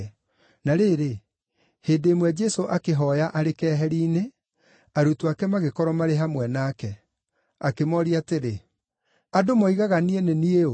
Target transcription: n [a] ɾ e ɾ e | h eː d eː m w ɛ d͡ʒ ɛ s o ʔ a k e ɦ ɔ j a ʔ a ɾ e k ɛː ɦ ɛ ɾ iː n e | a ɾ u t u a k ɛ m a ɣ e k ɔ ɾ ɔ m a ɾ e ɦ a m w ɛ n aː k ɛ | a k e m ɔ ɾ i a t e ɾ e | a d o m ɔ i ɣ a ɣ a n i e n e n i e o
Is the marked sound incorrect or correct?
correct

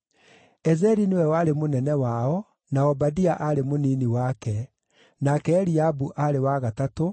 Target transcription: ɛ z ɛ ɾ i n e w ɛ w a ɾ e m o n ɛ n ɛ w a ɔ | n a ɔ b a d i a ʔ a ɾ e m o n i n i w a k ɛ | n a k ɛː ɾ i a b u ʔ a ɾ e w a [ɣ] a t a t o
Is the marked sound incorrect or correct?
correct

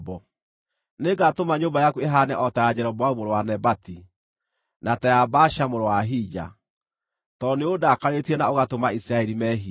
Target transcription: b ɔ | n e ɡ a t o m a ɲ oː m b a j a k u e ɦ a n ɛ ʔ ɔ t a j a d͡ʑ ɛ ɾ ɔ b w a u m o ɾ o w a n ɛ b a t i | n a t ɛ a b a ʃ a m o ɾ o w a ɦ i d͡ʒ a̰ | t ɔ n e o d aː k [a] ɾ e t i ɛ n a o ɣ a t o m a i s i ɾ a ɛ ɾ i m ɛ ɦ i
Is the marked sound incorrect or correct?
correct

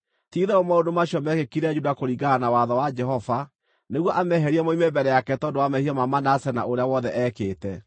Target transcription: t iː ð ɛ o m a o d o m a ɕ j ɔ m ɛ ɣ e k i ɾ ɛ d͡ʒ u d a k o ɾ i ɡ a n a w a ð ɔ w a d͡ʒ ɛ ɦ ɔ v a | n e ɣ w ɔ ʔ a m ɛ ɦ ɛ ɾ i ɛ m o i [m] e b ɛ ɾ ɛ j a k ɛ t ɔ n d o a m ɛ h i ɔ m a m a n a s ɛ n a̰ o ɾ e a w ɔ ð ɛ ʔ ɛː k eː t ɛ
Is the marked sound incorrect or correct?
correct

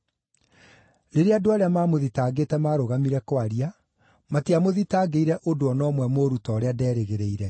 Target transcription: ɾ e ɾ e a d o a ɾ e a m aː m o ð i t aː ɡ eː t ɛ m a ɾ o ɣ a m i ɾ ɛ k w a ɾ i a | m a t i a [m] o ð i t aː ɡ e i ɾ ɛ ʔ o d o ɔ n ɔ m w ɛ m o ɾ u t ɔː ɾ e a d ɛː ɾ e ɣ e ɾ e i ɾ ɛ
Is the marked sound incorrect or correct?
correct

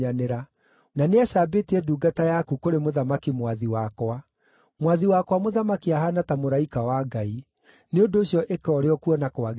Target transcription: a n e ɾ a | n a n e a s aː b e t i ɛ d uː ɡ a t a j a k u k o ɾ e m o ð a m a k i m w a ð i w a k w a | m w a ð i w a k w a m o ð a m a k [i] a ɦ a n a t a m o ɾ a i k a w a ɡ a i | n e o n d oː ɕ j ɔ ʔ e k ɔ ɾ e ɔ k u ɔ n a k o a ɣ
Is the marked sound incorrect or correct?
correct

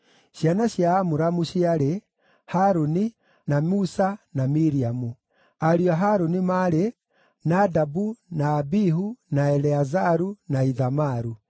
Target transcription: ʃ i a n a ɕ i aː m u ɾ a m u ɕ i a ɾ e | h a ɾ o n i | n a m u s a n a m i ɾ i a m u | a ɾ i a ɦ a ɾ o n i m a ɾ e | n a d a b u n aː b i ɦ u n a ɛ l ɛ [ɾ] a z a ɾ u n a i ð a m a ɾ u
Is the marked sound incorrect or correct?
incorrect: none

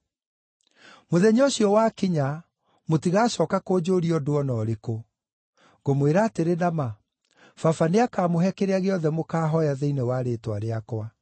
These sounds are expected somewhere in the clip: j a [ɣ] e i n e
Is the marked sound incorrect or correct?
incorrect: ð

